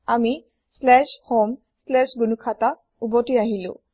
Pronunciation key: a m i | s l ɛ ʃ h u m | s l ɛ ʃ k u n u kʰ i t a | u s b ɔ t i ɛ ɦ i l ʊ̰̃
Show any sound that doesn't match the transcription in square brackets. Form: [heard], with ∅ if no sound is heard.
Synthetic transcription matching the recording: a m i | s l ɛ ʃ h [o] m | s l ɛ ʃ [ɡ] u n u kʰ [a] t a | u [∅] b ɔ t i [a] ɦ i l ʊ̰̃